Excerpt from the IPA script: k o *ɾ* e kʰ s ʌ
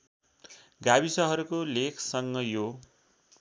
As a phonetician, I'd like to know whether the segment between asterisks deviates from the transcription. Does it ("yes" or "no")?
yes